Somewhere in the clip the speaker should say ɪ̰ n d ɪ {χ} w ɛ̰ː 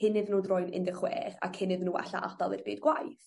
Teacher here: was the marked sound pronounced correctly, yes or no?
yes